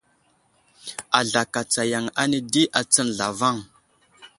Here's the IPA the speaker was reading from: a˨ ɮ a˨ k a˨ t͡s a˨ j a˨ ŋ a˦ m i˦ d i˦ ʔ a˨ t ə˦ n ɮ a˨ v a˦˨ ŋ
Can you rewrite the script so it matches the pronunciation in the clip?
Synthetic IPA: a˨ ɮ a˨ k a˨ t͡s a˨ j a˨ ŋ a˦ n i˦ d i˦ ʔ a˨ t͡s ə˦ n ɮ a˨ v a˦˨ ŋ

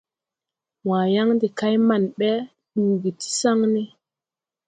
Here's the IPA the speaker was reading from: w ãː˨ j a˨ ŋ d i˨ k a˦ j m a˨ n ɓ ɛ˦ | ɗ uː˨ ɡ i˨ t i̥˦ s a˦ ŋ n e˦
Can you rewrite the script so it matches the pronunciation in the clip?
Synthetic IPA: w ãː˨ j a˦ ŋ d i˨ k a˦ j m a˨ n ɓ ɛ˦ | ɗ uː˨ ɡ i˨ t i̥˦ s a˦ ŋ n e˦

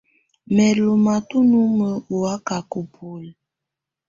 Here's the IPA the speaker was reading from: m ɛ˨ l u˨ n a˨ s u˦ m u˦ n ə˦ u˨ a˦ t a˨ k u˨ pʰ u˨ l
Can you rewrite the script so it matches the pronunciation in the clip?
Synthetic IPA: m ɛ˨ l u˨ m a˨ t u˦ n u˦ m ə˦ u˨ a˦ k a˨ k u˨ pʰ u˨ l

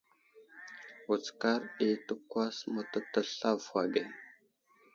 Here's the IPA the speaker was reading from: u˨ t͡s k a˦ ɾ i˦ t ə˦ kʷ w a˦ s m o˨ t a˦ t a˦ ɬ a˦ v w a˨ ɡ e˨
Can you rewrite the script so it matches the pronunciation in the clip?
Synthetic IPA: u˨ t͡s k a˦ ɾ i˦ t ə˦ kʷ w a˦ s m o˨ t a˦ t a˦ ɬ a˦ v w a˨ ɡ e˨

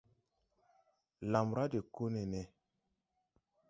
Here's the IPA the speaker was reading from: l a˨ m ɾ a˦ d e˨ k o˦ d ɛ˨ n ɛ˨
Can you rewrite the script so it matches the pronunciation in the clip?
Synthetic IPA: l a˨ m ɾ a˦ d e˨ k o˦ n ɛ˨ n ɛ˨

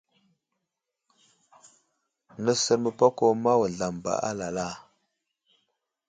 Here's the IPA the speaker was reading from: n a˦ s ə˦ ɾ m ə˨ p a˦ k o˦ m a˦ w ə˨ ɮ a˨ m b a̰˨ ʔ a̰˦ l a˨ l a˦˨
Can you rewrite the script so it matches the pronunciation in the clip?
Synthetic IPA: n ə˦ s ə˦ ɾ m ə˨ p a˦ k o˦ m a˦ w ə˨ ɮ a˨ m b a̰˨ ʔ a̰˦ l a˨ l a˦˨

